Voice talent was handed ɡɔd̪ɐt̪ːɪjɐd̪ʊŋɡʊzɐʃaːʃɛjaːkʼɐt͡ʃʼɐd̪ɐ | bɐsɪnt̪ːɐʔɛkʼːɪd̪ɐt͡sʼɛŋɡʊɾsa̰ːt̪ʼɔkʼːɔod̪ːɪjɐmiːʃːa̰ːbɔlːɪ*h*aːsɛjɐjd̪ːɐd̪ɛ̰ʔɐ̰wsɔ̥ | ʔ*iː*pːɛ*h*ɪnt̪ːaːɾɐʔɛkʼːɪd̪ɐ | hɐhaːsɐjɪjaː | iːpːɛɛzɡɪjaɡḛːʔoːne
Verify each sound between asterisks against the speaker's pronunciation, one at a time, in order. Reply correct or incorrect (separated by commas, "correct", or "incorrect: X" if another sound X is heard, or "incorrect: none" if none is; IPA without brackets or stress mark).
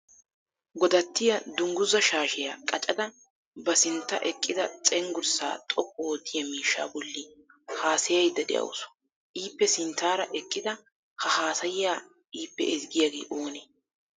correct, correct, incorrect: s